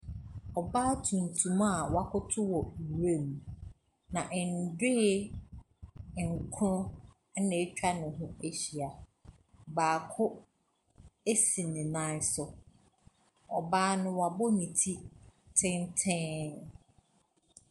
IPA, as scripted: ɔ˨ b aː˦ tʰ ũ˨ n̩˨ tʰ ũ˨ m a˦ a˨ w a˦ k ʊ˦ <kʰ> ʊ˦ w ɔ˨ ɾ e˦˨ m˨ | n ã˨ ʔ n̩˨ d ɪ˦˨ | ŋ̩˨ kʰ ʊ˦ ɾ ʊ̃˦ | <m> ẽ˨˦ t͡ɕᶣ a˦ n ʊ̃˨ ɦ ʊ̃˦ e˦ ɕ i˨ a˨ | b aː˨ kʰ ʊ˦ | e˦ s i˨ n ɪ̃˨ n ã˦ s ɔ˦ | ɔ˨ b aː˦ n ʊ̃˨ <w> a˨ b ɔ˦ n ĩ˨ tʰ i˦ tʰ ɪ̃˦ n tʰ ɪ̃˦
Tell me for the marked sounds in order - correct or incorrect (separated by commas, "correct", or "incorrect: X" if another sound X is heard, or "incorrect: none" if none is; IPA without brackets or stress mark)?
incorrect: tʰ, incorrect: n, correct